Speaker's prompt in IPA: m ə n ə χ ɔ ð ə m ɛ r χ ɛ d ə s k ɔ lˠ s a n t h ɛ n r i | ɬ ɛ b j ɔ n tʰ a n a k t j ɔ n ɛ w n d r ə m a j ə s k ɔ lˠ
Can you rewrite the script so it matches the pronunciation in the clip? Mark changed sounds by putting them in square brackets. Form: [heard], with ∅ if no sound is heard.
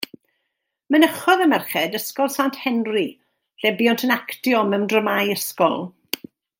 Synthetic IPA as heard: m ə n ə χ ɔ ð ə m ɛ r χ ɛ d ə s k ɔ lˠ s a n t h ɛ n r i | ɬ ɛ b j ɔ n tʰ [ə] n a k t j ɔ [m] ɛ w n d r ə m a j ə s k ɔ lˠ